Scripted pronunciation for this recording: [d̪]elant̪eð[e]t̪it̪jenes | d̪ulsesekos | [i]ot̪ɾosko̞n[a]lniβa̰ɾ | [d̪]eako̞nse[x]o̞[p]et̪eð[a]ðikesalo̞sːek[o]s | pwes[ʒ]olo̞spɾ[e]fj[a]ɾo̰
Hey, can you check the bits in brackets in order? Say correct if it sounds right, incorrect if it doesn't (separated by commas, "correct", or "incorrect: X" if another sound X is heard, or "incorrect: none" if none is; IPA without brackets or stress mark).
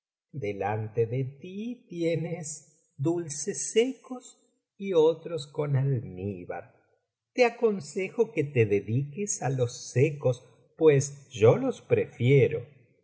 correct, correct, correct, correct, incorrect: t̪, correct, incorrect: k, incorrect: e, correct, correct, correct, incorrect: e